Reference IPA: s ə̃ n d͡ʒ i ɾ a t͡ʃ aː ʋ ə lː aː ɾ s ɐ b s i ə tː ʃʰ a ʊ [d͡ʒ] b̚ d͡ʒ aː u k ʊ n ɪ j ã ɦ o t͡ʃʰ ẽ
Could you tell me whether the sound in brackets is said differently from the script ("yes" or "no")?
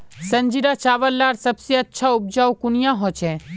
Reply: yes